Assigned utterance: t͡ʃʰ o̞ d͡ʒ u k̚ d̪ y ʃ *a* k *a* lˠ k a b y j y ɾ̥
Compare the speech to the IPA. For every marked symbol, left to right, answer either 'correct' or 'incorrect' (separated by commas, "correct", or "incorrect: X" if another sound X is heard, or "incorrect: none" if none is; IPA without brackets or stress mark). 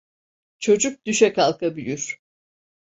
incorrect: ɛ, correct